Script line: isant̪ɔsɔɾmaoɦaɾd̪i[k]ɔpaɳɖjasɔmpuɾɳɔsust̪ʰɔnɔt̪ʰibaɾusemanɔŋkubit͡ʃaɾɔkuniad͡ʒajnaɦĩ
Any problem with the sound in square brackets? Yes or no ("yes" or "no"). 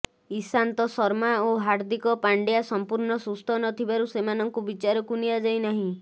no